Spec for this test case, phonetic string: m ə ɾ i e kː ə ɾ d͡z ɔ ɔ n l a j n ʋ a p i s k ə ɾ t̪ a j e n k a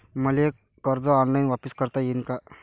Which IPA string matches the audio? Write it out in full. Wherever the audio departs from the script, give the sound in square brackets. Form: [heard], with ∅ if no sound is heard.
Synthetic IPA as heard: m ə [l] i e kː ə ɾ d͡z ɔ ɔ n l a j n ʋ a p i s k ə ɾ t̪ a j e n k a